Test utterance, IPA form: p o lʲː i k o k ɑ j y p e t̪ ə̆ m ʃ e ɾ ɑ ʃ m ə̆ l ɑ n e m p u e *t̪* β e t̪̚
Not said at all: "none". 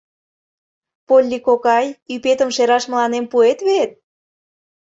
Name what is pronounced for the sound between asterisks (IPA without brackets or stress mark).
t̪